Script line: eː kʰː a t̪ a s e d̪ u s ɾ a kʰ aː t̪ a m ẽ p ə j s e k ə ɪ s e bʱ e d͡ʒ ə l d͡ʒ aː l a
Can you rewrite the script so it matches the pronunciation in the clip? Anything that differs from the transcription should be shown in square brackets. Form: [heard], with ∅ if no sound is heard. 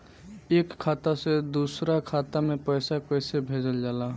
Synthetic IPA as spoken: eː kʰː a t̪ a s e d̪ u s ɾ a kʰ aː t̪ a m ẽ p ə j s [a] k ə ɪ s e bʱ e d͡ʒ ə l d͡ʒ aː l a